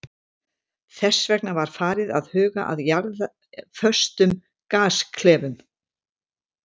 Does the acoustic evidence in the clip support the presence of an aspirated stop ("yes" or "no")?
yes